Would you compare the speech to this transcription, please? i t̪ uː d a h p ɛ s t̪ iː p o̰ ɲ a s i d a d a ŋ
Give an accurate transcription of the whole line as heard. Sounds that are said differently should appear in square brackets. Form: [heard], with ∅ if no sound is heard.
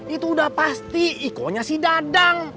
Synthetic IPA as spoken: i t̪ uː d a h p [a] s t̪ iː [k] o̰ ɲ a s i d a d a ŋ